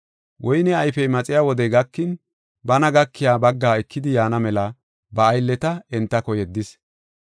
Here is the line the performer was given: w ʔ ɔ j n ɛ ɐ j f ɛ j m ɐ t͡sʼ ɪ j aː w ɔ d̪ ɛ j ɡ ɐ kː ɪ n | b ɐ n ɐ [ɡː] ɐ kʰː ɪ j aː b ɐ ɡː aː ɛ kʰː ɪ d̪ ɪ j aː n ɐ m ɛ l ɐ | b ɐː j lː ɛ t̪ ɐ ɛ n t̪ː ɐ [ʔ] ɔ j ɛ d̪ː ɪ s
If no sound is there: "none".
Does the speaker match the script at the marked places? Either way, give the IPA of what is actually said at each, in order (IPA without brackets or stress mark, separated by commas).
ɡ, k